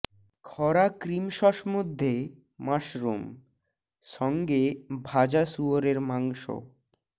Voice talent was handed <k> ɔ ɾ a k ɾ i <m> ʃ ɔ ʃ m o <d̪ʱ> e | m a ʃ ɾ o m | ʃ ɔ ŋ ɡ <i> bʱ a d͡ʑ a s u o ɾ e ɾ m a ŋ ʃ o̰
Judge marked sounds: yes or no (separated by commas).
no, yes, no, no